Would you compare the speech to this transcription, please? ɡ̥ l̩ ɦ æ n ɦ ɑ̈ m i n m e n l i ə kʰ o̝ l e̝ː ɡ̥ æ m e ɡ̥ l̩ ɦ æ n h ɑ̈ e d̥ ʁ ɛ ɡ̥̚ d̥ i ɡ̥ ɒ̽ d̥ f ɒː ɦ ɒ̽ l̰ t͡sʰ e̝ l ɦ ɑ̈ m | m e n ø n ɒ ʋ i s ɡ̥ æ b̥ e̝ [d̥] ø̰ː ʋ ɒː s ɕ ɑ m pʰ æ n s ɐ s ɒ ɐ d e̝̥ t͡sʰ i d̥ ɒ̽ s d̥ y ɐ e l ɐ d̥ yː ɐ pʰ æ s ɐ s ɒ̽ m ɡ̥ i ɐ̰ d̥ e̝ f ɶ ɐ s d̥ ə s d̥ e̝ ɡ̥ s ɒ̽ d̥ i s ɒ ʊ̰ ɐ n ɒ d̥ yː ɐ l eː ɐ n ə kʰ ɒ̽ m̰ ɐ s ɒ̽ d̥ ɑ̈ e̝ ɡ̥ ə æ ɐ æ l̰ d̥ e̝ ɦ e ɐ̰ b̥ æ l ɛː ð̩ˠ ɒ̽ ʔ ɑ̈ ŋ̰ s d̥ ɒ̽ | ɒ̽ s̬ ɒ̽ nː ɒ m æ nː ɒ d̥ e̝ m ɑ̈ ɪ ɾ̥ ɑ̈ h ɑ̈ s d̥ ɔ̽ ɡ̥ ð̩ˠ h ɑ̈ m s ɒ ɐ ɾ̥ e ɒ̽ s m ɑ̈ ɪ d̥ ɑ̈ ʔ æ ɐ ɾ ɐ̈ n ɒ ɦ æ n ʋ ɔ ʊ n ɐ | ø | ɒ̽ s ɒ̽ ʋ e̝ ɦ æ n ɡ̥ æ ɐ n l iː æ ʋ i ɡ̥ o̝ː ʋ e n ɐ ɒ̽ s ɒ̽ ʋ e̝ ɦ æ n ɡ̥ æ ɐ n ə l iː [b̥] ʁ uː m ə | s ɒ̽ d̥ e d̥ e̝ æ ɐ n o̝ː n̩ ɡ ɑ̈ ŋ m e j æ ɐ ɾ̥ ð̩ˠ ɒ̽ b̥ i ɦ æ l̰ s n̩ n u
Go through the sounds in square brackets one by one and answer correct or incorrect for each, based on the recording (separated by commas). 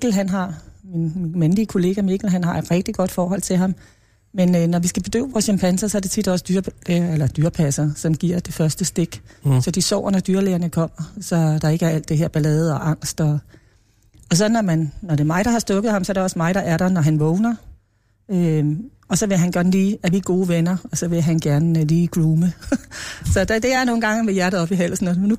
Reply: correct, incorrect